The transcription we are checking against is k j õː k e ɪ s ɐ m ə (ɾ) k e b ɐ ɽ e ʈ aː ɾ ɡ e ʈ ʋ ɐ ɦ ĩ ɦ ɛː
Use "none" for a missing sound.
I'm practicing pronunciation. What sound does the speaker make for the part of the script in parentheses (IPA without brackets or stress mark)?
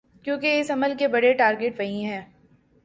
l